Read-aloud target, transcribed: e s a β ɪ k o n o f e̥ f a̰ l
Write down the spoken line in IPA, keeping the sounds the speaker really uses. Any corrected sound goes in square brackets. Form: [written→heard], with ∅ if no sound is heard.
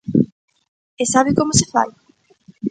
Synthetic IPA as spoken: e s a β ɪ k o [n→m] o [f→s] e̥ f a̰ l